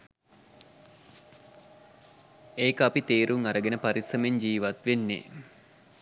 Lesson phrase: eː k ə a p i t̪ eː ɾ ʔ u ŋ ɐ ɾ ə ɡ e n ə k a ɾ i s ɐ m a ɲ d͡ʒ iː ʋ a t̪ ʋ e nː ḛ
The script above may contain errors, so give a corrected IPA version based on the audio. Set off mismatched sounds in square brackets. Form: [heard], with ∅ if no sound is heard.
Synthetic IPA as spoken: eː k ə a p i t̪ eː ɾ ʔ u ŋ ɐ ɾ ə ɡ e n ə [p] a ɾ i s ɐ m [e] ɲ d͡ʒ iː ʋ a t̪ ʋ e nː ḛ